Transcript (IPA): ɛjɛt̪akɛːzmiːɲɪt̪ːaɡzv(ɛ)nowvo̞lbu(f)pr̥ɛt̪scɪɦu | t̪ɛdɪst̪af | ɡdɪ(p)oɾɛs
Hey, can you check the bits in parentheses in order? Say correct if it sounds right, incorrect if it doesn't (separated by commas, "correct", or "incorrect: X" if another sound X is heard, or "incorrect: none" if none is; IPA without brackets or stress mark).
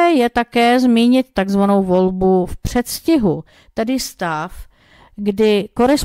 incorrect: a, correct, incorrect: k